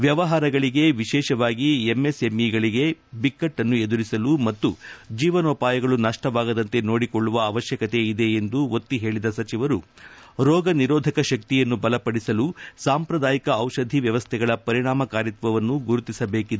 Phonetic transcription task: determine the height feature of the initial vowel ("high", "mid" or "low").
low